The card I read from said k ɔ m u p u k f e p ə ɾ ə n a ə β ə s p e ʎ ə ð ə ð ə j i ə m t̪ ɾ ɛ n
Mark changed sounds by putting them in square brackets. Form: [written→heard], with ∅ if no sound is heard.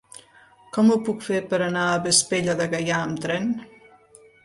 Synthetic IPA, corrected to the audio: k ɔ m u p u k f e p ə ɾ ə n a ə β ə s p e ʎ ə ð ə [ð→ɣ] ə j [i→a] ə m t̪ ɾ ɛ n

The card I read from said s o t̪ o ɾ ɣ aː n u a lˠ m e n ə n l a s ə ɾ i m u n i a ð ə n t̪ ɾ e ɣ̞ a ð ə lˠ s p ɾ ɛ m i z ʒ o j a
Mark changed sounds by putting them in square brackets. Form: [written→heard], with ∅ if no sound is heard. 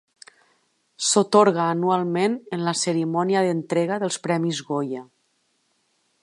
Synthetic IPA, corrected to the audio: s o t̪ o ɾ ɣ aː n u a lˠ m e n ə n l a s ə ɾ i m [u→ɔ] n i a ð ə n t̪ ɾ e ɣ̞ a ð ə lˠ s p ɾ ɛ m i z [ʒ→ɣ] o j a

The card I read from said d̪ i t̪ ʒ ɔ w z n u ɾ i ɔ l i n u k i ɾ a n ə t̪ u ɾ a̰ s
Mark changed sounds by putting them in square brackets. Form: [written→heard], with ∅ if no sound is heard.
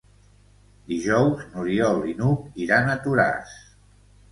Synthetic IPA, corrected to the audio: d̪ i [t̪→∅] ʒ ɔ w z n u ɾ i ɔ l i n u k i ɾ a n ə t̪ u ɾ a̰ s

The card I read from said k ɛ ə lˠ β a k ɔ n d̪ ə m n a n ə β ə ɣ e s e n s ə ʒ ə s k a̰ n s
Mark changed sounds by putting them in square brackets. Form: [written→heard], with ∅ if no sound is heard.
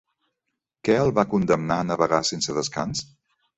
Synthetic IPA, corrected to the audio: k ɛ ə lˠ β a k [ɔ→u] n d̪ ə m n a n ə β ə ɣ [e→a] s e n s ə [ʒ→ð] ə s k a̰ n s

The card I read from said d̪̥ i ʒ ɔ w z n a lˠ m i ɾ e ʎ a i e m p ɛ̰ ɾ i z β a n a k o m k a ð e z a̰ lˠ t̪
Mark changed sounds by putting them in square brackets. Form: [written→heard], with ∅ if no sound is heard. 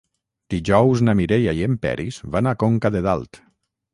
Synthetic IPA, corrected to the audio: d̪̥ i ʒ ɔ w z n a [lˠ→∅] m i ɾ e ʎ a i e m p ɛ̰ ɾ i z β a n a k o [m→ŋ] k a ð e [z→ð] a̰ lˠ t̪

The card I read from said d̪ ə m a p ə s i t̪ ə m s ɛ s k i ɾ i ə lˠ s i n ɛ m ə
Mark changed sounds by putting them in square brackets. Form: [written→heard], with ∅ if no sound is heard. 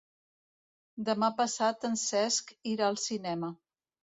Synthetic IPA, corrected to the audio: d̪ ə m a p ə s [i→a] t̪ ə [m→n] s ɛ s k i ɾ [i→a] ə lˠ s i n ɛ m ə

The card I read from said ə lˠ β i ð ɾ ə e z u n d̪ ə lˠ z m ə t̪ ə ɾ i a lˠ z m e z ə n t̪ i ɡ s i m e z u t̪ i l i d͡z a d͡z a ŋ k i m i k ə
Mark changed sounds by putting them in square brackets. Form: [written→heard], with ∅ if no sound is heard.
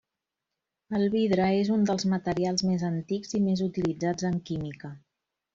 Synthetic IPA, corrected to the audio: ə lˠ β i ð ɾ ə e z u n d̪ ə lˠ z m ə t̪ ə ɾ i a lˠ z m e z ə n t̪ i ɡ [s→z] i m e z u t̪ i l i d͡z a d͡z [a→ə] ŋ k i m i k ə

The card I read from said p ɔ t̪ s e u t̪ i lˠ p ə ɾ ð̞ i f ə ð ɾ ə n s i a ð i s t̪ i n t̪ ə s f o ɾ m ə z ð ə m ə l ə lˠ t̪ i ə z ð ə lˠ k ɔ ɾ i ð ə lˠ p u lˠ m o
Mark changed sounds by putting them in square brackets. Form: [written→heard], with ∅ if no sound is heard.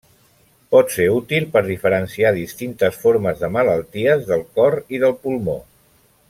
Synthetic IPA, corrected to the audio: p ɔ t̪ s e u t̪ i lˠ p ə ɾ ð̞ i f ə [ð→∅] ɾ ə n s i a ð i s t̪ i n t̪ ə s f o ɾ m ə z ð ə m ə l ə lˠ t̪ i ə z ð ə lˠ k ɔ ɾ i ð ə lˠ p u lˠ m o

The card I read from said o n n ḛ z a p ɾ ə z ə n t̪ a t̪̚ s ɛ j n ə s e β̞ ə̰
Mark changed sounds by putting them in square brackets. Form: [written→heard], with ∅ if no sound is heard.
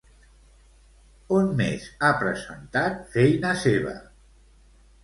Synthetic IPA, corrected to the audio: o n [n→m] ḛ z a p ɾ ə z ə n t̪ a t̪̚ [s→f] ɛ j n ə s e β̞ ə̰

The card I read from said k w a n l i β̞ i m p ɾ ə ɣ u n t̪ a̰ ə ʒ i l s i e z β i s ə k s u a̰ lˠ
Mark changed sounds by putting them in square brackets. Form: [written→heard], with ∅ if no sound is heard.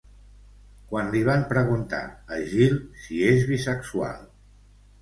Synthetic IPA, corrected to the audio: k w a n l i β̞ [i→a] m p ɾ ə ɣ u n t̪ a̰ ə ʒ i l s i e z β i s ə k s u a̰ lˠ

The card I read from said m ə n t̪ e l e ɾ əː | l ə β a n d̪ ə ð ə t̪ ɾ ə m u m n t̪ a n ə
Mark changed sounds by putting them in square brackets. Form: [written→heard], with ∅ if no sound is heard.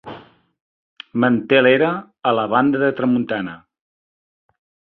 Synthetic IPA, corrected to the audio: m ə n t̪ e l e ɾ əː | l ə β a n d̪ ə ð ə t̪ ɾ ə m u [m→∅] n t̪ a n ə

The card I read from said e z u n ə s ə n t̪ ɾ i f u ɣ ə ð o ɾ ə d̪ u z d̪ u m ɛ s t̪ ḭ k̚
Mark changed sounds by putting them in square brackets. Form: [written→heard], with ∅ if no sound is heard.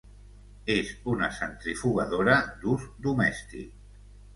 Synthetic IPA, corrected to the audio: e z u n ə s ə n t̪ ɾ i f u ɣ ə ð o ɾ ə d̪ u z d̪ u m ɛ s t̪ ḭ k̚

